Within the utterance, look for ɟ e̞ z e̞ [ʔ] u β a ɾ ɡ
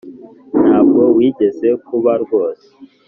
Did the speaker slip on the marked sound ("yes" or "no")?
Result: yes